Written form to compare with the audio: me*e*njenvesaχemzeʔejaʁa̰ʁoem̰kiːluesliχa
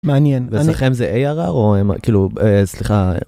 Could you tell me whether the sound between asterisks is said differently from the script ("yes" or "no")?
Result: yes